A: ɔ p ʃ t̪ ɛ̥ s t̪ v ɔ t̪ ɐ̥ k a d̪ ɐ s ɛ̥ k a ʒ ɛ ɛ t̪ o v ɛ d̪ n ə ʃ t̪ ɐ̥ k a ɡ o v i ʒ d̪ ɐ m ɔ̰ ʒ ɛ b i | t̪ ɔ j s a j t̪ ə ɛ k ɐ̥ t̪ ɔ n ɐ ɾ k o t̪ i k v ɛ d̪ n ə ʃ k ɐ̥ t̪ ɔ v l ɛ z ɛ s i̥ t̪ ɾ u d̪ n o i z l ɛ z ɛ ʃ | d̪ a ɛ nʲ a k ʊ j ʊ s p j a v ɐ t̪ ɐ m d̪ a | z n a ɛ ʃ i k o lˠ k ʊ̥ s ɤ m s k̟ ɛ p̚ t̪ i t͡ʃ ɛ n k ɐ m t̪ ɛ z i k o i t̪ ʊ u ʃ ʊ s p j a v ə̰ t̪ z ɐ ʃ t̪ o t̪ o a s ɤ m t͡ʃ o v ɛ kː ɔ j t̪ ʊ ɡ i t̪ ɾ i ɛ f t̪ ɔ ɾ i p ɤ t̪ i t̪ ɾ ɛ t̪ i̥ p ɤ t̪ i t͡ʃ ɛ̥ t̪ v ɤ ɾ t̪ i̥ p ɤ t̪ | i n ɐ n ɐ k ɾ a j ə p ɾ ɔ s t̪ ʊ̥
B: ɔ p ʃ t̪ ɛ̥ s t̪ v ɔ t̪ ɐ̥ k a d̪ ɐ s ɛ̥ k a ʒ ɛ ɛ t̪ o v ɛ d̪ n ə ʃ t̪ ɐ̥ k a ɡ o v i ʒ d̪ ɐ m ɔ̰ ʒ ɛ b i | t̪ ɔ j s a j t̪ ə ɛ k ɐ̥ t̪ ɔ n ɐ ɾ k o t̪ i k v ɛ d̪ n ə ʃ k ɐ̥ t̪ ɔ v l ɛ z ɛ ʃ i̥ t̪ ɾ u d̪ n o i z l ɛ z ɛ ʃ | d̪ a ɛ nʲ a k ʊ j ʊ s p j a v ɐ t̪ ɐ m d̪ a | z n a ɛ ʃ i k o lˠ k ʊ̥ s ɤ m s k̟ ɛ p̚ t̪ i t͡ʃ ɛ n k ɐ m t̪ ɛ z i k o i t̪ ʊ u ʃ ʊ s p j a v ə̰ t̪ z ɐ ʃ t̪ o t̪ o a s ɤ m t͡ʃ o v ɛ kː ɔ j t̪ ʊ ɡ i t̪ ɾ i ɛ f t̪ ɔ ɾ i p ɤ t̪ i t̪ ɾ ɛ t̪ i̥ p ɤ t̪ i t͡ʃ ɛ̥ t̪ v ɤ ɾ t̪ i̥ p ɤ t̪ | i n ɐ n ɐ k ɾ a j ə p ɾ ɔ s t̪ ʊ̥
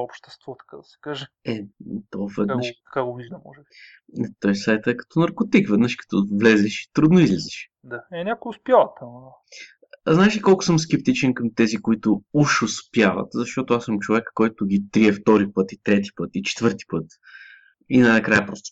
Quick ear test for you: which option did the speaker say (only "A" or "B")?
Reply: B